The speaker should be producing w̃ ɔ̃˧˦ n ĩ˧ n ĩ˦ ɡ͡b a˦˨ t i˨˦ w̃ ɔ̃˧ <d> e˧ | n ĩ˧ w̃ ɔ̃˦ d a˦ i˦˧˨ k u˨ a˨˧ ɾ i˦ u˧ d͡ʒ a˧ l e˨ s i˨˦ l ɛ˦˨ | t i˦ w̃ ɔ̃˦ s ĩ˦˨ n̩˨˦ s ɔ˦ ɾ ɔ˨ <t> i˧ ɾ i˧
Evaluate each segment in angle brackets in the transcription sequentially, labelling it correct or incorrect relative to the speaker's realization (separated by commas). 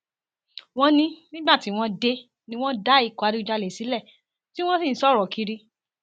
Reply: correct, incorrect